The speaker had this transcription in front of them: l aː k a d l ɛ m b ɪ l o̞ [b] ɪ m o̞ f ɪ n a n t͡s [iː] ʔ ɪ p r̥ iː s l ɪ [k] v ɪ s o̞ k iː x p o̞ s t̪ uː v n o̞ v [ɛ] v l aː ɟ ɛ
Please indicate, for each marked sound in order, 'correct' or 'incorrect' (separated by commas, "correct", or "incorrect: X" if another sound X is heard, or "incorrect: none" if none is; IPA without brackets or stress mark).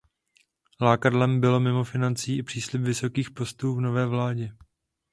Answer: incorrect: m, correct, incorrect: p, incorrect: ɛː